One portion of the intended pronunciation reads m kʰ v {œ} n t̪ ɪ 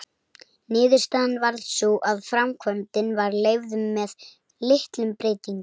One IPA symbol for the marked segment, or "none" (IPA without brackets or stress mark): œ